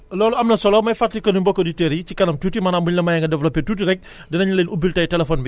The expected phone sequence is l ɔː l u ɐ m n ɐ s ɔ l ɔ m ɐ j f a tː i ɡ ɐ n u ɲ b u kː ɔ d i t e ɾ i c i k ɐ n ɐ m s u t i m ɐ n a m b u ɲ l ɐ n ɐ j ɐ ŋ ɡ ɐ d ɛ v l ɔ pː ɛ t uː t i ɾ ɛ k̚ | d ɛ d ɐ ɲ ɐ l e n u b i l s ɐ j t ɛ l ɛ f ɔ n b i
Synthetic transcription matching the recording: l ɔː l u ɐ m n ɐ s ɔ l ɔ m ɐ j f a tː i k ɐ n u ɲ b ɔ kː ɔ d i t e ɾ i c i k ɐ n ɐ m t u t i m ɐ n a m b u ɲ l ɐ m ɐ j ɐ ŋ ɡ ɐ d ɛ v l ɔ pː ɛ t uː t i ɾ ɛ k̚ | d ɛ n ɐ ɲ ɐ l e n u b i l t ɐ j t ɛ l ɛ f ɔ n b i